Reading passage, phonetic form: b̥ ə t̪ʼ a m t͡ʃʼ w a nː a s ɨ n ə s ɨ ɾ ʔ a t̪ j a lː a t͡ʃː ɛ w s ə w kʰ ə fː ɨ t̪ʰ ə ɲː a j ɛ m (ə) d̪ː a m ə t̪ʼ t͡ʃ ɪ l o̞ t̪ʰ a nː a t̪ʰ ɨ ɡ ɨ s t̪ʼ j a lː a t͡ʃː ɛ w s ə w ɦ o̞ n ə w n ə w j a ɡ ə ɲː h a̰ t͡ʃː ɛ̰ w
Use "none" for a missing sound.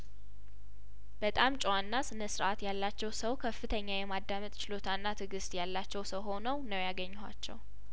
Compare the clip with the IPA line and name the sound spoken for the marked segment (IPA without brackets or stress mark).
a